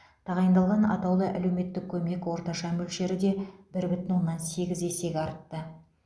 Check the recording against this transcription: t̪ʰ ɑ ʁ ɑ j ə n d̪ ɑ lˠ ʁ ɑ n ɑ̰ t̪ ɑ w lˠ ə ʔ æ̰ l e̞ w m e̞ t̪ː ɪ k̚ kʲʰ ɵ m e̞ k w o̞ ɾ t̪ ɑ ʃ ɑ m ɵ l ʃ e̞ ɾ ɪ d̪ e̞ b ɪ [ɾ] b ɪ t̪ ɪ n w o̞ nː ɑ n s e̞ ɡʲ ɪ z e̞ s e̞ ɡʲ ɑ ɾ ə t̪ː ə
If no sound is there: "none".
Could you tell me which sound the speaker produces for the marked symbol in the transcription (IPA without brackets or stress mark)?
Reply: ɾ